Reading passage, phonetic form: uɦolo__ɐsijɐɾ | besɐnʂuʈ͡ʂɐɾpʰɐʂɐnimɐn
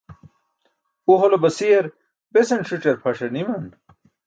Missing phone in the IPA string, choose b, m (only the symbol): b